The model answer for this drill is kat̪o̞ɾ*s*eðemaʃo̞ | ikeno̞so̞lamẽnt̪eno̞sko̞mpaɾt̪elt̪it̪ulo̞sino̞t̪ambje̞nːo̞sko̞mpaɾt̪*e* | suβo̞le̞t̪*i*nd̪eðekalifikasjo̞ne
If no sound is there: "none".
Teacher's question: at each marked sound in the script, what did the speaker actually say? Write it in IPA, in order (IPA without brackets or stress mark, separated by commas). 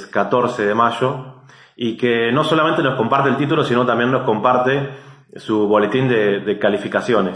s, e, i